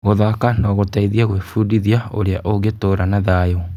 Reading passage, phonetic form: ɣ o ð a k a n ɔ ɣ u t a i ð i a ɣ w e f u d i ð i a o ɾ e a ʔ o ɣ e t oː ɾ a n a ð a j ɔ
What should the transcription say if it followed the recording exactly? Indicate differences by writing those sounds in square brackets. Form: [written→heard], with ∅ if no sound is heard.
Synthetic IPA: ɣ o ð a k a n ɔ ɣ [u→o] t a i ð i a ɣ w e f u d i ð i a o ɾ e a ʔ o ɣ e t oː ɾ a n a ð a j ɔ